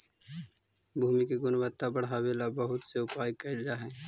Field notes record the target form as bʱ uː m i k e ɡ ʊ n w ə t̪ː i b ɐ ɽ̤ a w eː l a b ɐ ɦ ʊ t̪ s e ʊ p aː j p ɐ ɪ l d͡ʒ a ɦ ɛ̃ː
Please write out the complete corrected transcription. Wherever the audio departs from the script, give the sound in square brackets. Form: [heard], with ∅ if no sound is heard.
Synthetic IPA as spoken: bʱ uː m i k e ɡ ʊ n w ə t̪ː [a] b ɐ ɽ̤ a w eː l a b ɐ ɦ ʊ t̪ s e ʊ p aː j [k] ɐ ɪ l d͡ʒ a ɦ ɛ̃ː